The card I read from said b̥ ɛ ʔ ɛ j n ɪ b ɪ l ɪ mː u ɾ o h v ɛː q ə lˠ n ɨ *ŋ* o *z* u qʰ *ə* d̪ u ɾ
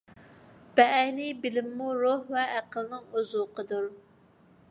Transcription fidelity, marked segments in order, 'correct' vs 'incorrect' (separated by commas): correct, correct, correct